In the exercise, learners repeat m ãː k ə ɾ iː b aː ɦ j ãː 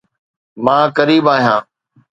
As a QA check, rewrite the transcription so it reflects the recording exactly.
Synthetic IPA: m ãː k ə ɾ iː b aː ɦ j ãː